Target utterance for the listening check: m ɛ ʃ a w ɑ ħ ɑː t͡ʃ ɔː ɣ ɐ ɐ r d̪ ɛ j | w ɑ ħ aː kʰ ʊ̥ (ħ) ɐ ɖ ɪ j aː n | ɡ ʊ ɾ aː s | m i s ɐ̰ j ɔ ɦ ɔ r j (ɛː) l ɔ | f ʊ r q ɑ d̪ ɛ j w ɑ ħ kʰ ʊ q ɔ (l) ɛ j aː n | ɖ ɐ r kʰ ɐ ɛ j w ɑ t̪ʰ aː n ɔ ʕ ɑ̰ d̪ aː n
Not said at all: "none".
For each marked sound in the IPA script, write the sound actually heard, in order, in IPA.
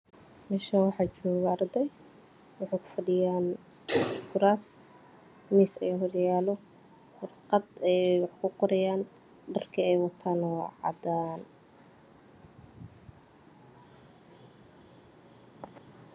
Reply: f, aː, ɾ

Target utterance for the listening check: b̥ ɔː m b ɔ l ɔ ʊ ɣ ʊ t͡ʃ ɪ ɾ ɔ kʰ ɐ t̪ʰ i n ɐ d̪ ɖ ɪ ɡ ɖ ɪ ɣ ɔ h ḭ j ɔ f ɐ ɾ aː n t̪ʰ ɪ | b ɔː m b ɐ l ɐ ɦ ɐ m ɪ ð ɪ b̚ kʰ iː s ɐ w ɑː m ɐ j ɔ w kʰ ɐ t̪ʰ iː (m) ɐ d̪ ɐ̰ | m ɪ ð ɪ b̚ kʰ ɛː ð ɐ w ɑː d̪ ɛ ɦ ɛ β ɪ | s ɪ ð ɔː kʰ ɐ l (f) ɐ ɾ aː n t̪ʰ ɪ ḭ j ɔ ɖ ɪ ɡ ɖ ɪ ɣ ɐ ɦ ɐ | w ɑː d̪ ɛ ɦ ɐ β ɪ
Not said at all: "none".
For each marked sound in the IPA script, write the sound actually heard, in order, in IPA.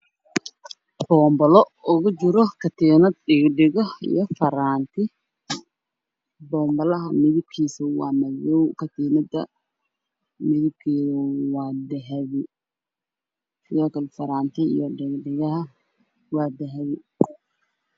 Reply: n, f

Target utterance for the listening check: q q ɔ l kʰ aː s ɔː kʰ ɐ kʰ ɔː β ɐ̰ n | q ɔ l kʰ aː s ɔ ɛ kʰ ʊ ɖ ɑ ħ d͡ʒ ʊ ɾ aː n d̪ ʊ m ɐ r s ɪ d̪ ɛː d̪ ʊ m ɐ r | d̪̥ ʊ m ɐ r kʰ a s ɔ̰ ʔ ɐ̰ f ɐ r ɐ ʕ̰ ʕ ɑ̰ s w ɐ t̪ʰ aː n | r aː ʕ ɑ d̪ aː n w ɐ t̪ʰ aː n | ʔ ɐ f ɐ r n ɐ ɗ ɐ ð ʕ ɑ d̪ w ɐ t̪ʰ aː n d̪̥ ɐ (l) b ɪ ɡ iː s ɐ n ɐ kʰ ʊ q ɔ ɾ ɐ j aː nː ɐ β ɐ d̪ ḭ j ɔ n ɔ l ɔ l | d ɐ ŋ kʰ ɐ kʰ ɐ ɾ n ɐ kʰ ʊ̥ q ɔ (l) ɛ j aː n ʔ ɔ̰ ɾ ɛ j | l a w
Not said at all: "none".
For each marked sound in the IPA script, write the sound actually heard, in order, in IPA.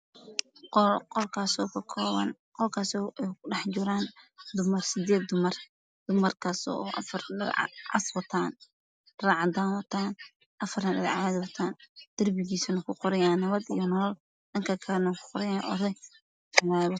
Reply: r, ɾ

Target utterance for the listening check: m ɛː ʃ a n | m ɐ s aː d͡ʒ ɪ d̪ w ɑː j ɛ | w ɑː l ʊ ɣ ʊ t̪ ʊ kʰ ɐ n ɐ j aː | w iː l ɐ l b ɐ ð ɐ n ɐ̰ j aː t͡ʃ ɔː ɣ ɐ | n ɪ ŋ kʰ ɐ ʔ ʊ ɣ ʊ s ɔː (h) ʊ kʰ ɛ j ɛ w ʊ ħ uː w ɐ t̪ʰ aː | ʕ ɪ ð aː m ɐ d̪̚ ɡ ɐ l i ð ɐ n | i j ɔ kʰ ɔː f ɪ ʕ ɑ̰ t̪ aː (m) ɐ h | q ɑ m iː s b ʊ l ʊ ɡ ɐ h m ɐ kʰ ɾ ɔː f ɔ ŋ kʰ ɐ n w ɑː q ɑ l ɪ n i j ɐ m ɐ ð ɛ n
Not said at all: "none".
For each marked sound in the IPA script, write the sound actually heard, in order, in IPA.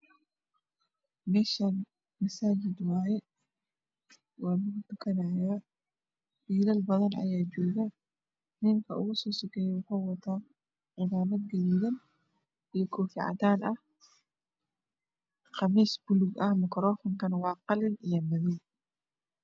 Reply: s, n

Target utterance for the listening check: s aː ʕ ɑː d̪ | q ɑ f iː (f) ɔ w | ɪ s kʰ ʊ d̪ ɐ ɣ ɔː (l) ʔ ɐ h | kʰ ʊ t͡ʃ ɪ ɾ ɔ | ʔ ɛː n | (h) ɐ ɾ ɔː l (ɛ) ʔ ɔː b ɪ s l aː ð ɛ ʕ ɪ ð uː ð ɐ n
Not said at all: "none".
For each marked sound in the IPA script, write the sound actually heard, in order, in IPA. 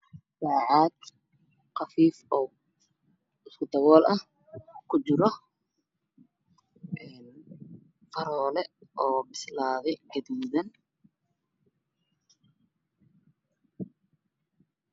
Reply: f, l, f, ɛ

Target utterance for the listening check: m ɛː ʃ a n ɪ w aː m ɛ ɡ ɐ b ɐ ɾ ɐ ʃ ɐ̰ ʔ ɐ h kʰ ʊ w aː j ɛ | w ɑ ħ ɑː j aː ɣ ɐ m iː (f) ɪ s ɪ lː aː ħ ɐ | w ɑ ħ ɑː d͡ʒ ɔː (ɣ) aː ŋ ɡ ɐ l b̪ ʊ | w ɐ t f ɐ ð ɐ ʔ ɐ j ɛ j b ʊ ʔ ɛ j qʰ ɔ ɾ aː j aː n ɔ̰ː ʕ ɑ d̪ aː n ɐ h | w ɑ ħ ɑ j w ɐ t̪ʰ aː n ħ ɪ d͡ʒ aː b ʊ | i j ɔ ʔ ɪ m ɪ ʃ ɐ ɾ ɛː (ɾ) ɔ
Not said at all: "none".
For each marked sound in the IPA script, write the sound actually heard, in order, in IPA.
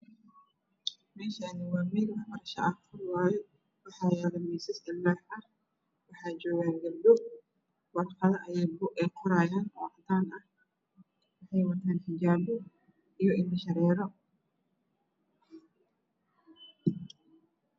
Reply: s, ɣ, ɾ

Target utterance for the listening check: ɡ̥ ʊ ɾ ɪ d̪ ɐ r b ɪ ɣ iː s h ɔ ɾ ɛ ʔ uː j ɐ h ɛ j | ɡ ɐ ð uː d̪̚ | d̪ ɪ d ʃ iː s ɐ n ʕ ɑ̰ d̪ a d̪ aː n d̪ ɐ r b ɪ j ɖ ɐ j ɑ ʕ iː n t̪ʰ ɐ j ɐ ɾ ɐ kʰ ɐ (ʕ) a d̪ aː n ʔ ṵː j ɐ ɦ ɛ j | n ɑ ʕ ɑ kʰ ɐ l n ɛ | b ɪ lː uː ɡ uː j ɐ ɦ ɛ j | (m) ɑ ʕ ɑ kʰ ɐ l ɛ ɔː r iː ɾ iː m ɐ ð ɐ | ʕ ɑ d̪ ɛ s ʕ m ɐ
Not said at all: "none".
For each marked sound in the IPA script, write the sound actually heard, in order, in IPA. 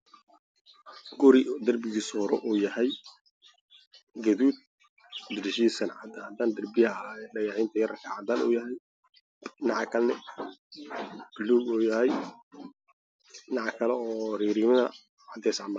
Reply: ʕ, n

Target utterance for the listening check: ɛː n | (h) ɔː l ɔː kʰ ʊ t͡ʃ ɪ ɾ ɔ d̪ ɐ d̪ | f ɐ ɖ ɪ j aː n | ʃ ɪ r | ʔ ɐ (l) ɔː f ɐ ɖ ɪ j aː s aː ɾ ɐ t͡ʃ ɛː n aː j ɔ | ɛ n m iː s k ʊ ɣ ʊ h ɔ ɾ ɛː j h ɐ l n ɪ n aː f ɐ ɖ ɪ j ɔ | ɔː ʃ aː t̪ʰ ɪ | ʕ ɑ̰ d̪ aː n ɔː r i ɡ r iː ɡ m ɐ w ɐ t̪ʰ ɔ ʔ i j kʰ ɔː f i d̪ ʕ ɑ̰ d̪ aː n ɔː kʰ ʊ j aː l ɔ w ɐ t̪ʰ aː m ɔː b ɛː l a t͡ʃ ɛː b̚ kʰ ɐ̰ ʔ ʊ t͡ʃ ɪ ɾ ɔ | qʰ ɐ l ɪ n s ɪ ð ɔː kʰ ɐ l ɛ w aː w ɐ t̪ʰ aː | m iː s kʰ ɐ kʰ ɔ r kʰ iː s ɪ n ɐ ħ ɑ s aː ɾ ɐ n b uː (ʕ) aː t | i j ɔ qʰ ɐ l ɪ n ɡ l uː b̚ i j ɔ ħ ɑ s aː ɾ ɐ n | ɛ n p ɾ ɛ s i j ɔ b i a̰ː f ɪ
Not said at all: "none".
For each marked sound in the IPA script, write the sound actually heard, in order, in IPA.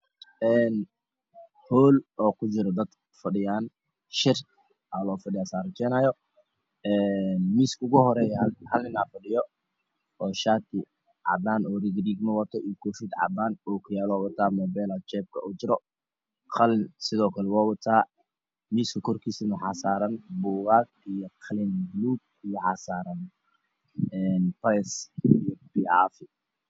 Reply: h, l, ɣ

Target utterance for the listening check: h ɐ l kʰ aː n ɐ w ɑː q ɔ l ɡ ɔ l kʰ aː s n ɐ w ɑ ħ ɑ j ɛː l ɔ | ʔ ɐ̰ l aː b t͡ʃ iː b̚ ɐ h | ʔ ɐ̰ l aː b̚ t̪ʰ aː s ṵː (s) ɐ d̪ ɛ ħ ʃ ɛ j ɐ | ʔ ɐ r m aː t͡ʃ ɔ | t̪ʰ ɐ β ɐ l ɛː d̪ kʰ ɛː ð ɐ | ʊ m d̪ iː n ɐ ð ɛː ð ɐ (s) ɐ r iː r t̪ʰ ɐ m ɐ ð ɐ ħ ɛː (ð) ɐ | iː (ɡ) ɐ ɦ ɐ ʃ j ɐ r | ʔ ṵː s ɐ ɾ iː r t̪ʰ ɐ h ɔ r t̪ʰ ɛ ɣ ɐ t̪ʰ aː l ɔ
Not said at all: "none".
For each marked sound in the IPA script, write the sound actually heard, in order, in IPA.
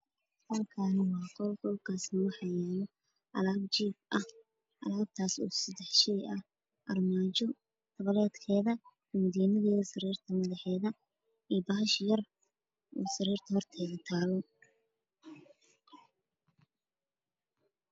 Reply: s, s, ð, b

